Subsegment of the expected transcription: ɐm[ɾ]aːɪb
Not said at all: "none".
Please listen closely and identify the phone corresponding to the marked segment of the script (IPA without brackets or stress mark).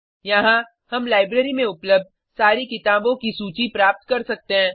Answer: l